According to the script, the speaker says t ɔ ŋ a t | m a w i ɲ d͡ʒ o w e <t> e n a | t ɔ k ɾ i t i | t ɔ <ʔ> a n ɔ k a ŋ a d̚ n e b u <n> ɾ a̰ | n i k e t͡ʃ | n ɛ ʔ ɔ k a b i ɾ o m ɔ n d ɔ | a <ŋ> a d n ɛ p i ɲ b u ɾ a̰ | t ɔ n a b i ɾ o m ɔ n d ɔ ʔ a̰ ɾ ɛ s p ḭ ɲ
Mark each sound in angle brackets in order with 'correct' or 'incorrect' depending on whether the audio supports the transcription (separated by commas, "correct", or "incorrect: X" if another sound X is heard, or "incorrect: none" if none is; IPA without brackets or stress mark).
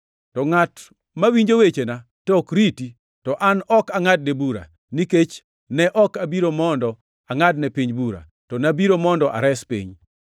incorrect: t͡ʃ, correct, incorrect: none, correct